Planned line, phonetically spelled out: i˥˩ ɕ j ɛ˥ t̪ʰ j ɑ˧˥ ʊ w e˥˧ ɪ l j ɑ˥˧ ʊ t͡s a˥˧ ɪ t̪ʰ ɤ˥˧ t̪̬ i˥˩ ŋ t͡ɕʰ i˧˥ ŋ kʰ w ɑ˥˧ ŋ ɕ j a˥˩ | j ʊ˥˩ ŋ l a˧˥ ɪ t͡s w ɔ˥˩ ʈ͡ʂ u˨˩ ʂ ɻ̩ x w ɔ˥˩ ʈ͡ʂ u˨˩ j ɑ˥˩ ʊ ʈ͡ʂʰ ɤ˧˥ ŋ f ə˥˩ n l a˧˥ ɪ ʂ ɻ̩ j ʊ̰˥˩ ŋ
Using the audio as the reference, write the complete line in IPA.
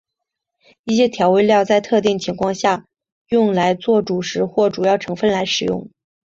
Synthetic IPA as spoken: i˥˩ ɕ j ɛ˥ t̪ʰ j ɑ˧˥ ʊ w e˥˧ ɪ l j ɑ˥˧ ʊ t͡s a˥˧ ɪ t̪ʰ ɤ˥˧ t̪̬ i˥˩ ŋ t͡ɕʰ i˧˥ ŋ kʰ w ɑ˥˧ ŋ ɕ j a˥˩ | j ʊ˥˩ ŋ l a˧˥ ɪ t͡s w ɔ˥˩ ʈ͡ʂ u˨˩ ʂ ɻ̩ x w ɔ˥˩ ʈ͡ʂ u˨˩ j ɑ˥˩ ʊ ʈ͡ʂʰ ɤ˧˥ ŋ f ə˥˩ n l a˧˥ ɪ ʂ ɻ̩ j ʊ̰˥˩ ŋ